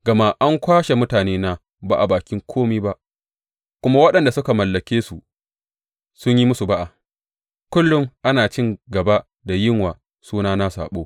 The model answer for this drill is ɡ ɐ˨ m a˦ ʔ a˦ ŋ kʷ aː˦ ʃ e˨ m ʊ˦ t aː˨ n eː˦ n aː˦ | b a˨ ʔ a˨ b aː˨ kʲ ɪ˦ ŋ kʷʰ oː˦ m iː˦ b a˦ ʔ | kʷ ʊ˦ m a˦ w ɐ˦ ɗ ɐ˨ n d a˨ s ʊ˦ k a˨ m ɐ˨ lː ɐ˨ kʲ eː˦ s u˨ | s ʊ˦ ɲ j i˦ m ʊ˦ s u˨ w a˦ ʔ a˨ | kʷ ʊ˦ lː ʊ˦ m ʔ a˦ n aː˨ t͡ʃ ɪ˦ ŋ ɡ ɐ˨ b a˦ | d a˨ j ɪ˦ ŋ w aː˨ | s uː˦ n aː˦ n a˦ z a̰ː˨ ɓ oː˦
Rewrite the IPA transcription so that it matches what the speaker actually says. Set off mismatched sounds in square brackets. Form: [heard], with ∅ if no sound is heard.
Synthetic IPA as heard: ɡ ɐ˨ m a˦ ʔ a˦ ŋ kʷ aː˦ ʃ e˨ m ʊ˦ t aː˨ n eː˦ n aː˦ | b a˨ ʔ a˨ b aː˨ kʲ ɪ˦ ŋ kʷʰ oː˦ m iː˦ b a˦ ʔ | kʷ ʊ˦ m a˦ w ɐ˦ ɗ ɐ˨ n d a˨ s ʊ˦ k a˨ m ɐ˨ lː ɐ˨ kʲ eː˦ s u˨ | s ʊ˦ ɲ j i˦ m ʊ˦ s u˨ [b] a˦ ʔ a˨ | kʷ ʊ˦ lː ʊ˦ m ʔ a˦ n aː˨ t͡ʃ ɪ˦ ŋ ɡ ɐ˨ b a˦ | d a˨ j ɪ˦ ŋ w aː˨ | s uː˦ n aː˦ n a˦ [s] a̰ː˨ ɓ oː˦

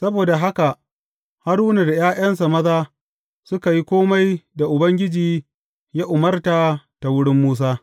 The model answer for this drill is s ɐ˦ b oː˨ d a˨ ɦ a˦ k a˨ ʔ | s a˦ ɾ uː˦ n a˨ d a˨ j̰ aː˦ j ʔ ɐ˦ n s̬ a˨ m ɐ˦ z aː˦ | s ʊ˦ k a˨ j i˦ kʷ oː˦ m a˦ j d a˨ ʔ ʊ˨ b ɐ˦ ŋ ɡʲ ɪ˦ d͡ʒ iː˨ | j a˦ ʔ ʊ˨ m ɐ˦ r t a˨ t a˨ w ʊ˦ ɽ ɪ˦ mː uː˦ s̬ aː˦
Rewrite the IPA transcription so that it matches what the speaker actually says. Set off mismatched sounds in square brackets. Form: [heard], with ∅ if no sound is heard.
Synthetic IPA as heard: s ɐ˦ b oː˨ d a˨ ɦ a˦ k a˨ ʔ | [h] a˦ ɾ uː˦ n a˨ d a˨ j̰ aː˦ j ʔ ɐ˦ n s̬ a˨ m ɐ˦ z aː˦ | s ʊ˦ k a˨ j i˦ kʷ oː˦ m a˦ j d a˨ ʔ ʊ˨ b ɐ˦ ŋ ɡʲ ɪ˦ d͡ʒ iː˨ | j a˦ ʔ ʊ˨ m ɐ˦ r t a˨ t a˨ w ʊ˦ ɽ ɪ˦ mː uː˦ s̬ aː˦

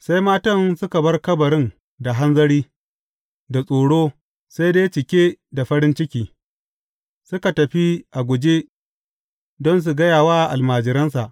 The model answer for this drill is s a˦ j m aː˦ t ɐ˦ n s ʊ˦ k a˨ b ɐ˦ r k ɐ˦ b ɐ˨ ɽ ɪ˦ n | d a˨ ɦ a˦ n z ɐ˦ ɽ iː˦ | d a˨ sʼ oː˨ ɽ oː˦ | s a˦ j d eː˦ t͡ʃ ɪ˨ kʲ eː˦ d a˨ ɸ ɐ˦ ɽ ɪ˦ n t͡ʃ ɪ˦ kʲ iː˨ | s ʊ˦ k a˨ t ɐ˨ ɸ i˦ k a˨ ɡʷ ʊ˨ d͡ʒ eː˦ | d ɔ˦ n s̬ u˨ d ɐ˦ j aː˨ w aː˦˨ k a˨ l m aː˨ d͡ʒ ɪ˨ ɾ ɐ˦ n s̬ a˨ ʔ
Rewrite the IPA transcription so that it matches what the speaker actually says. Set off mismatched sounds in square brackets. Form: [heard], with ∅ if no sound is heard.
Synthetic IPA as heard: s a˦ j m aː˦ t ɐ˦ n s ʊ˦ k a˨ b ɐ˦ r k ɐ˦ b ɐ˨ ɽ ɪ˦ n | d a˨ ɦ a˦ n z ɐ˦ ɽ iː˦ | d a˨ sʼ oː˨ ɽ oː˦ | s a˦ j d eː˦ t͡ʃ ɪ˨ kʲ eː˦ d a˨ ɸ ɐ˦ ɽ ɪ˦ n t͡ʃ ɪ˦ kʲ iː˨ | s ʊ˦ k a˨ t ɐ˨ ɸ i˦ [ʔ] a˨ ɡʷ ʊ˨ d͡ʒ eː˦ | d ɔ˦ n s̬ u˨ [ɡ] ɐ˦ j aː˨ w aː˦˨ [ʔ] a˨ l m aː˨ d͡ʒ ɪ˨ ɾ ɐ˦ n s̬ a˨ ʔ

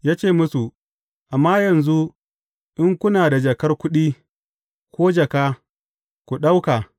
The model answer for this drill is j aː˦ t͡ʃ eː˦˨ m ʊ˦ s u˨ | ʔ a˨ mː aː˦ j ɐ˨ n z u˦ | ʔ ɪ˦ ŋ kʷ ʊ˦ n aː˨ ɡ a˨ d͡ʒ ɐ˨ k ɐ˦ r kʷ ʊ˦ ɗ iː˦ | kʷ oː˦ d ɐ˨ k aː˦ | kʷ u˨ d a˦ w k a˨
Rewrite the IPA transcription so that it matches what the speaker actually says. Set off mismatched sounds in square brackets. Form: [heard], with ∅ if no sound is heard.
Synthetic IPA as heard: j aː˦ t͡ʃ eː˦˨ m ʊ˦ s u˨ | ʔ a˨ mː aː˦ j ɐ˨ n z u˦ | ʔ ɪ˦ ŋ kʷ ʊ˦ n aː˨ [d] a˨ d͡ʒ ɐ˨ k ɐ˦ r kʷ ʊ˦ ɗ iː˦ | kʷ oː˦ [d͡ʒ] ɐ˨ k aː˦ | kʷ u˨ [ɗ] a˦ w k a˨

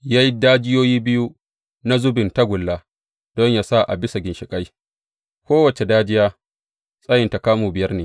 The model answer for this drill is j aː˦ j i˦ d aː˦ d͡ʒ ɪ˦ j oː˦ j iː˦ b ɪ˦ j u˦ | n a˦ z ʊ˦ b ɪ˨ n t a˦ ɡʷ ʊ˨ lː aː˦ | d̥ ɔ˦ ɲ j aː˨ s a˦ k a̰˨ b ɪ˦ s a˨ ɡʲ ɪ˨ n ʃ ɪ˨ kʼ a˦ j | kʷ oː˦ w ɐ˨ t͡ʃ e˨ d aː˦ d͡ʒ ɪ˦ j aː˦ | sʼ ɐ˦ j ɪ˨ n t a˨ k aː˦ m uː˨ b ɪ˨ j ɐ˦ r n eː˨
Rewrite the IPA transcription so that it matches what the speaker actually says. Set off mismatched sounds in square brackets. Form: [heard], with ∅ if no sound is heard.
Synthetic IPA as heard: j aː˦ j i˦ d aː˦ d͡ʒ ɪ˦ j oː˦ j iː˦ b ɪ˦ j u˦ | n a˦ z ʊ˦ b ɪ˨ n t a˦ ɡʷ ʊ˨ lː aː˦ | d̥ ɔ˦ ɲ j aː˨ s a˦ [ʔ] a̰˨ b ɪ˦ s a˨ ɡʲ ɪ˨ n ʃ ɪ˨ kʼ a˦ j | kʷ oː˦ w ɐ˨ t͡ʃ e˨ d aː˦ d͡ʒ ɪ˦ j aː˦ | sʼ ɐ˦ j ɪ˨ n t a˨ k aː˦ m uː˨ b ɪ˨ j ɐ˦ r n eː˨

